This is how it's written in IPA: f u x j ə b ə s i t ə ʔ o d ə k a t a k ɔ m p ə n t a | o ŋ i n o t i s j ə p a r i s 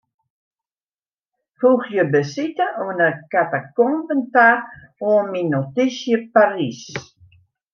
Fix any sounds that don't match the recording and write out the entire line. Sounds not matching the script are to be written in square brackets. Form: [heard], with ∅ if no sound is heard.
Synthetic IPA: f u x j ə b ə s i t ə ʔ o [n] ə k a t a k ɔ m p ə n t a | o [m] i n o t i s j ə p a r i s